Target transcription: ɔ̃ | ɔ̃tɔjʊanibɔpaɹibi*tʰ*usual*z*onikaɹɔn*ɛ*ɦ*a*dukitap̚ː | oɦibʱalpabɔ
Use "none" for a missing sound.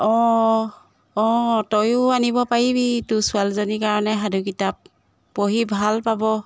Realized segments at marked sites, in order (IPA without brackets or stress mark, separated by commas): t, z, ɛ, a